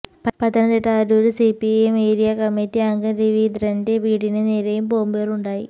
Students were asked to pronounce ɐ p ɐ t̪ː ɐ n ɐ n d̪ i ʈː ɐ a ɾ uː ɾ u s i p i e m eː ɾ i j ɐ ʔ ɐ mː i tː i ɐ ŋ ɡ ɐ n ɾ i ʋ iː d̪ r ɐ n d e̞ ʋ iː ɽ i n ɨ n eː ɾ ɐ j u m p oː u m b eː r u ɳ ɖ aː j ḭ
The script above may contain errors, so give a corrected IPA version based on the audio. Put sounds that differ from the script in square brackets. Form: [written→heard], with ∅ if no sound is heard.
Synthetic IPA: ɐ p ɐ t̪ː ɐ n ɐ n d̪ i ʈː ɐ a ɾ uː ɾ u s i p i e m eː ɾ i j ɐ [ʔ→k] ɐ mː i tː i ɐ ŋ ɡ ɐ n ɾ i ʋ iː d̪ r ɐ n d e̞ ʋ iː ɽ i n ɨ n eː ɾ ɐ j u m p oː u m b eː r u ɳ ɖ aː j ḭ